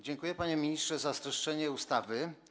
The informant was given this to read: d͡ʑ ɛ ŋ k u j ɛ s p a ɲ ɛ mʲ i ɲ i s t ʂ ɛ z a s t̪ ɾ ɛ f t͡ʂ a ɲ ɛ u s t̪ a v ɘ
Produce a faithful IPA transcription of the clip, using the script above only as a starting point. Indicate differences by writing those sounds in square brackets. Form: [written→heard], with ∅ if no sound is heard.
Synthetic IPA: d͡ʑ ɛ ŋ k u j ɛ [s→∅] p a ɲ ɛ mʲ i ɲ i s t ʂ ɛ z a s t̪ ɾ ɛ [f→ʂ] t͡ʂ [a→ɛ] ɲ ɛ u s t̪ a v ɘ